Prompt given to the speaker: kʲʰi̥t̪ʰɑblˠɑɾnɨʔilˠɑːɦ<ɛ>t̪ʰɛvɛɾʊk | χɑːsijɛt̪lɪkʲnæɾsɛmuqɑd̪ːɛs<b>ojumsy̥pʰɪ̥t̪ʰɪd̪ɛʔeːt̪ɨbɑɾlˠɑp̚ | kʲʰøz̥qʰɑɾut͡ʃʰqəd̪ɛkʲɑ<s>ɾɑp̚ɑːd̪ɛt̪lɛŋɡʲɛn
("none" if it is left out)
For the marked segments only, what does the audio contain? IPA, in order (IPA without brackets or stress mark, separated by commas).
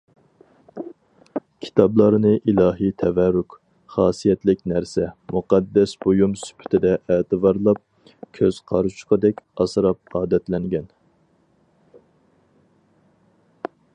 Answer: i, b, s